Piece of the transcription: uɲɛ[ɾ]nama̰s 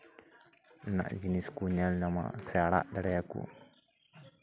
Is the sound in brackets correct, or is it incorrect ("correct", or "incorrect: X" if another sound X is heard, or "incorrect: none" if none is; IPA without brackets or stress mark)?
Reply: incorrect: l